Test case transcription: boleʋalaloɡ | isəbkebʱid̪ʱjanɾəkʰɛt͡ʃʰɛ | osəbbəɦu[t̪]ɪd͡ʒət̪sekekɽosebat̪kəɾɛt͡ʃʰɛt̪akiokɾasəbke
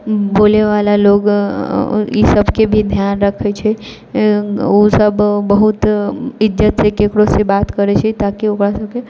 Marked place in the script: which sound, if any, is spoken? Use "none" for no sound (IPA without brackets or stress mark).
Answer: t̪